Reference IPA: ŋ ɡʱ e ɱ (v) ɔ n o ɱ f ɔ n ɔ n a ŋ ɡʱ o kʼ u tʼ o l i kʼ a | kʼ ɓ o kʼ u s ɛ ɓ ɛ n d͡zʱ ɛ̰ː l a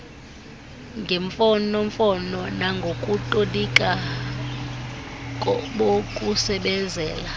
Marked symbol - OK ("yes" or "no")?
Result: no